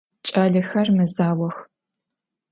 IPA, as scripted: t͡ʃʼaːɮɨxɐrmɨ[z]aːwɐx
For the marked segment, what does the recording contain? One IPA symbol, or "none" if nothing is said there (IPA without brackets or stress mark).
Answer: z